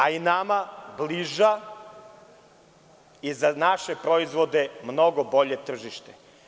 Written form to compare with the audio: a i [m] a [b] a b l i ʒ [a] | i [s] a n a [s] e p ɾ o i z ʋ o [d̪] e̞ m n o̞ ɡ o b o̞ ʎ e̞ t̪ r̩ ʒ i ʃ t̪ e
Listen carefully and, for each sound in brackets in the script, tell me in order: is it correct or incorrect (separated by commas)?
incorrect, incorrect, correct, incorrect, incorrect, correct